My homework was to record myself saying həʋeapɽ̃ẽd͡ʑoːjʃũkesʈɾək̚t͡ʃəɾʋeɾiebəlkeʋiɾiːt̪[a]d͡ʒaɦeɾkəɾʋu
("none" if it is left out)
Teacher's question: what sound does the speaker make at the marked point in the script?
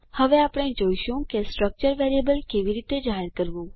e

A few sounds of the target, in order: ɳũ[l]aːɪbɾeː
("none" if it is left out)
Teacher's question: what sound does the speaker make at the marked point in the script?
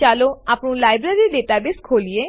l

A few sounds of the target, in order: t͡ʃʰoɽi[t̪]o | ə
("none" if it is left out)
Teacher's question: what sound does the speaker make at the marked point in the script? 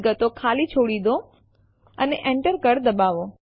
d̪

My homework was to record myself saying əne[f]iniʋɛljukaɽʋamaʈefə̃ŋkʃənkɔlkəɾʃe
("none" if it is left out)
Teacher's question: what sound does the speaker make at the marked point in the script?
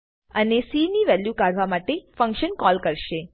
s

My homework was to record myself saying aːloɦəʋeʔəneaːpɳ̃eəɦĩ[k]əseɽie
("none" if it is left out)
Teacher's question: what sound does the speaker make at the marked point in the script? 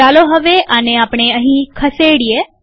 kʰ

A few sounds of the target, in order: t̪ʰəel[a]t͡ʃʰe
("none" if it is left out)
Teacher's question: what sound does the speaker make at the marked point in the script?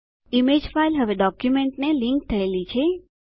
i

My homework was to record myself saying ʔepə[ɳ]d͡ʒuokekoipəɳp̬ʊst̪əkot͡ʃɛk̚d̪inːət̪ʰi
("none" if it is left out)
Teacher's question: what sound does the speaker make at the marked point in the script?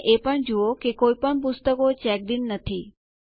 ɳ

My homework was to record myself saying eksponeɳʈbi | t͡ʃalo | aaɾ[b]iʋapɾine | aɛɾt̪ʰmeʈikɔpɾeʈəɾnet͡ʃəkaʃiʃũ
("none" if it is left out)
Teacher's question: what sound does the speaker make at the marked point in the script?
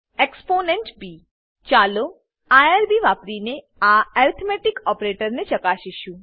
b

